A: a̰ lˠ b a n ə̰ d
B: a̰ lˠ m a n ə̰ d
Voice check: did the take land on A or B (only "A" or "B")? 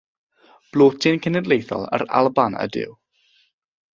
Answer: A